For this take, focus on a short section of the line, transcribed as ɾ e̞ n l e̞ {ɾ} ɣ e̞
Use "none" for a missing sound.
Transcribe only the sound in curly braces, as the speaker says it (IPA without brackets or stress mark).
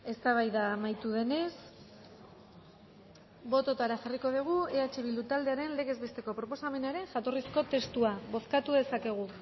none